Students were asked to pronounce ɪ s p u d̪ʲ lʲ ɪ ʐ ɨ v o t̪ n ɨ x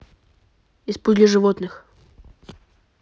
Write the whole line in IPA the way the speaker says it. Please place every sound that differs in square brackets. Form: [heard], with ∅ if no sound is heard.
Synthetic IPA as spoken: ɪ s p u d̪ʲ lʲ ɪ ʐ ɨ v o t̪ n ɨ x